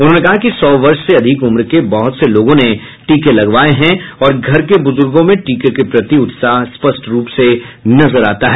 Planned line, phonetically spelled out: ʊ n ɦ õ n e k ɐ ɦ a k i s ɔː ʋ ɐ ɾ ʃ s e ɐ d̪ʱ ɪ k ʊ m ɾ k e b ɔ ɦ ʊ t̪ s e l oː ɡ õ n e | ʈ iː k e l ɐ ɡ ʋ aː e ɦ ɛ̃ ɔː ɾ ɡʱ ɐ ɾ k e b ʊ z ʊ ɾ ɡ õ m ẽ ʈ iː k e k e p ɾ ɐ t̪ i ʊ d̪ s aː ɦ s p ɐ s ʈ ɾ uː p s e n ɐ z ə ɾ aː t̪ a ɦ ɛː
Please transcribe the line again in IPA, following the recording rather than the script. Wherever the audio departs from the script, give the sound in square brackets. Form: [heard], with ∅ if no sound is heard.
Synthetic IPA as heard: ʊ n ɦ õ n e k ɐ ɦ a k i s ɔː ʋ ɐ ɾ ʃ s e ɐ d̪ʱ ɪ k ʊ m ɾ k e b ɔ ɦ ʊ t̪ s e l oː ɡ õ n e | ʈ iː k e l ɐ ɡ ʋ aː e ɦ ɛ̃ ɔː ɾ ɡʱ ɐ ɾ k e b ʊ z ʊ ɾ ɡ õ m ẽ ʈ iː k e k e p ɾ ɐ t̪ i ʊ [t̪] s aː ɦ s p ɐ s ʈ ɾ uː p s e n ɐ z ə ɾ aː t̪ a ɦ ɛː